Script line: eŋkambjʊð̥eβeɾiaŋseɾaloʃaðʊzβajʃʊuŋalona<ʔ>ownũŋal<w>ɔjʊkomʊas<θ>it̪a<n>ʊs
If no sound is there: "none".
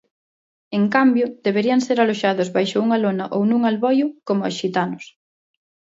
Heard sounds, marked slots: ʔ, β, ʃ, n

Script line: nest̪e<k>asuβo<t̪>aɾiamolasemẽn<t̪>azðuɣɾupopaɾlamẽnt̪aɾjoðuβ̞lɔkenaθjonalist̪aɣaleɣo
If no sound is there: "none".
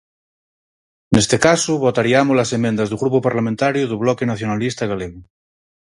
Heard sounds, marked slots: k, t̪, d̪

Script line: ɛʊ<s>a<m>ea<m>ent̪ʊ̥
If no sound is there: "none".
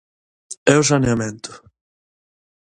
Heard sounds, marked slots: s, n, m

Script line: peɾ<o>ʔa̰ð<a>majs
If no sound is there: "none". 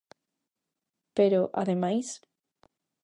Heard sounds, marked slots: o, e

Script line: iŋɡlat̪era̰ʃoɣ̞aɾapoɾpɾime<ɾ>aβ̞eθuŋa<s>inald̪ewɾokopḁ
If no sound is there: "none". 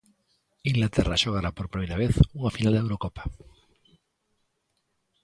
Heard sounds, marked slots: ɾ, f

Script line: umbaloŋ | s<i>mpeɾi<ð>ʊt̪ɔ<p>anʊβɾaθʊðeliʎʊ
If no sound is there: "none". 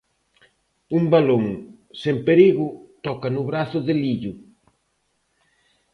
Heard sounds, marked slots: e, ɣ, k

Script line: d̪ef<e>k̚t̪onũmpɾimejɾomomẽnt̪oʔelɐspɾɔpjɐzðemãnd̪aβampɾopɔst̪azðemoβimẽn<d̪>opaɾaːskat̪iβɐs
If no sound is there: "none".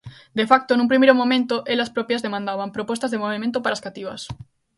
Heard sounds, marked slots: a, t̪

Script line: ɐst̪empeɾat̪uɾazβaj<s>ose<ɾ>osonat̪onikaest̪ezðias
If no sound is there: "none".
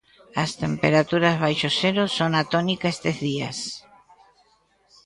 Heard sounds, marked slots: ʃ, ɾ

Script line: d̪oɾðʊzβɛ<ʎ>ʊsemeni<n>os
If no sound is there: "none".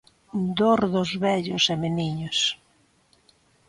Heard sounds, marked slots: ʎ, ɲ

